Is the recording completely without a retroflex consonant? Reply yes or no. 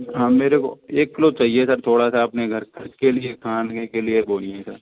no